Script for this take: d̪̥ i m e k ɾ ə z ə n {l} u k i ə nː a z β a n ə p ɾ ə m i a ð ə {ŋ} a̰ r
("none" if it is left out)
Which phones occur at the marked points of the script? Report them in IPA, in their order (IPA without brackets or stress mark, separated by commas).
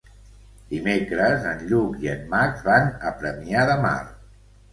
ʎ, m